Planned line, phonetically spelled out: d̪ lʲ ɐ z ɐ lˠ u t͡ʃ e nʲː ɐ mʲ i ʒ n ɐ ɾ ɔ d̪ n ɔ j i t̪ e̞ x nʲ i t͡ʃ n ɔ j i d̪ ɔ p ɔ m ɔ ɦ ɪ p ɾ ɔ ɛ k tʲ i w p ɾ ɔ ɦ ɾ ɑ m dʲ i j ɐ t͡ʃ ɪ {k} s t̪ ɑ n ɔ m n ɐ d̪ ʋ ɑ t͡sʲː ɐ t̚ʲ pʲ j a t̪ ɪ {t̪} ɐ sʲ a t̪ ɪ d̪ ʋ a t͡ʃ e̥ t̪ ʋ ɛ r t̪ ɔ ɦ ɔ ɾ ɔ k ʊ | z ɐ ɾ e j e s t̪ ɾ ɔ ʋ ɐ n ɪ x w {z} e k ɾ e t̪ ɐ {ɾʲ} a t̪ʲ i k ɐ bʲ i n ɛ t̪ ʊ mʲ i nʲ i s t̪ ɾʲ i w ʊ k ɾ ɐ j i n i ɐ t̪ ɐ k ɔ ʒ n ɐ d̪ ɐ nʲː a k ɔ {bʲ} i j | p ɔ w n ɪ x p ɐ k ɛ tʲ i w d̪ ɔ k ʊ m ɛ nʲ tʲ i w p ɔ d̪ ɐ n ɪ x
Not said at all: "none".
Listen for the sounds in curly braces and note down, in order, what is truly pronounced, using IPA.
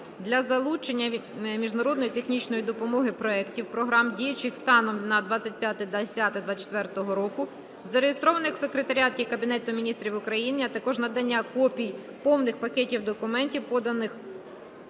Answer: x, d̪, s, ɾʲ, pʲ

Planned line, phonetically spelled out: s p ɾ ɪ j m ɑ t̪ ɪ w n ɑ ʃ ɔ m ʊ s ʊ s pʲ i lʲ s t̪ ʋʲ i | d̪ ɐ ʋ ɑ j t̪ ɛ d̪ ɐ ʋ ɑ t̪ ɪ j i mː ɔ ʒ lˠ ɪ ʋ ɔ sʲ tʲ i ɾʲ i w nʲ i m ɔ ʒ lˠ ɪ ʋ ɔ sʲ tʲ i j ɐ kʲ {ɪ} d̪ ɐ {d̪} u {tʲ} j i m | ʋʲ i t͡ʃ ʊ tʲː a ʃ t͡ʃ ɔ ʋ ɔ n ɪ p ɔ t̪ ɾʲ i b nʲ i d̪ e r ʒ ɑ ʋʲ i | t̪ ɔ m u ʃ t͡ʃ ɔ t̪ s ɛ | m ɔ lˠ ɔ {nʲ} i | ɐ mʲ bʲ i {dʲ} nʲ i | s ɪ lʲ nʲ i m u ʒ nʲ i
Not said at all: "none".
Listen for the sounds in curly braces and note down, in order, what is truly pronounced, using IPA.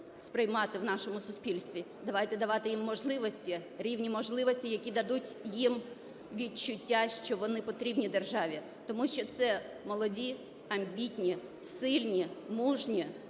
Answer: i, d̪, tʲ, dʲ, tʲ

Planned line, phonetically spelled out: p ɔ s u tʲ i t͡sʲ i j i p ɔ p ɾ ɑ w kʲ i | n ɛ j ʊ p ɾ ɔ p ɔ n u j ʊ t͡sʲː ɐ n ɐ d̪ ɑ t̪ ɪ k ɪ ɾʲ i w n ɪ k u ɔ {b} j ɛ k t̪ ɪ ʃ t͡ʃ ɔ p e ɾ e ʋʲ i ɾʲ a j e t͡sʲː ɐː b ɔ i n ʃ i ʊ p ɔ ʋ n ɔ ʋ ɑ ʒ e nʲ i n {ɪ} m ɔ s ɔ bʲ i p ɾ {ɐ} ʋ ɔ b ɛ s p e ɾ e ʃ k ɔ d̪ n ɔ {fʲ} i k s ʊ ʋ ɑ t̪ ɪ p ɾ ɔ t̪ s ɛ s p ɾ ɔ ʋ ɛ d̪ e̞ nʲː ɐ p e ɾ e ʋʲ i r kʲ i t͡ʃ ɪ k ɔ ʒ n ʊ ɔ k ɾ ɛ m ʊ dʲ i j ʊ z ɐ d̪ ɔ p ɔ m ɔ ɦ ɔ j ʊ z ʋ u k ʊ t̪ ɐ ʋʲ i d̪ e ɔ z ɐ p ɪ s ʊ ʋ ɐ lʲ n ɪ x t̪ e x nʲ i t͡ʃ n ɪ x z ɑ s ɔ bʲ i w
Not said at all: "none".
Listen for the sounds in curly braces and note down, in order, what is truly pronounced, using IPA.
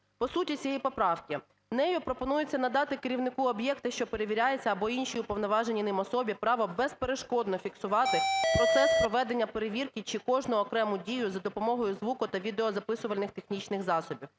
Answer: b, ɪ, ɑ, fʲ

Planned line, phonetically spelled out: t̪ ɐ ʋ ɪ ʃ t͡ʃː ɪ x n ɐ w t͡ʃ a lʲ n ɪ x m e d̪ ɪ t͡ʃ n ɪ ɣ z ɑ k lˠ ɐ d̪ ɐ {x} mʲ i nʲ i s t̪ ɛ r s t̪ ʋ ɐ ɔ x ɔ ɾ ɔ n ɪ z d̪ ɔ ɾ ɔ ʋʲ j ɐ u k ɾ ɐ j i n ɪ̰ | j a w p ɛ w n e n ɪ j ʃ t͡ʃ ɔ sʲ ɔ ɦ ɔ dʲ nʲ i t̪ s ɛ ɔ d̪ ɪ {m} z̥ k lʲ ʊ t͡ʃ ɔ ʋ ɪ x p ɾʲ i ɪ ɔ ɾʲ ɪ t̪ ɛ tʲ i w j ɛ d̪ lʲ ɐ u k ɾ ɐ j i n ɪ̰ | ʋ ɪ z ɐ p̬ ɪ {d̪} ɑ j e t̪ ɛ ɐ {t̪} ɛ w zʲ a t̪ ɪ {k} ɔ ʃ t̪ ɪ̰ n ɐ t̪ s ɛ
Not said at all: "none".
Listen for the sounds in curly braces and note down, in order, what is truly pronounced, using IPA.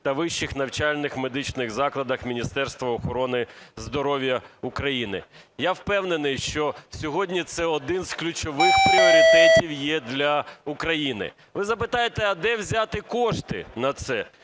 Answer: x, n, t̪, d̪, k

